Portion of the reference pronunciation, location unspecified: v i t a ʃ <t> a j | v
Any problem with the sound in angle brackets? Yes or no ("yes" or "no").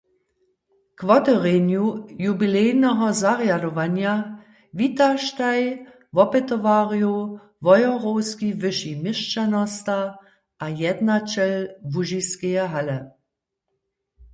no